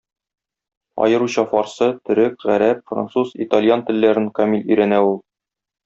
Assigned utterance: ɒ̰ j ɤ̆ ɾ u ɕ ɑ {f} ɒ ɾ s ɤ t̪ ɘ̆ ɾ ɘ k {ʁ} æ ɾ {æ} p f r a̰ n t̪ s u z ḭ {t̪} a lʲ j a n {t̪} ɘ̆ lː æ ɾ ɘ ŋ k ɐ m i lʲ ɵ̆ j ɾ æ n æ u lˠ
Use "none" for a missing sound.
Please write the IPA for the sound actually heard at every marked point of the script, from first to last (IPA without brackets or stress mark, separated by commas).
f, ʁ, æ, t̪, t̪